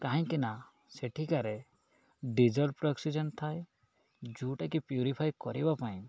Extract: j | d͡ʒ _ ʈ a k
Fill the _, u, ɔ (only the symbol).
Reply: u